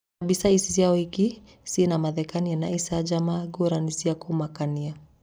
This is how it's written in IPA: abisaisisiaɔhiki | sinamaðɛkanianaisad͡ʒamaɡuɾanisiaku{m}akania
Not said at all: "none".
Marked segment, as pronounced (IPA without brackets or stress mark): m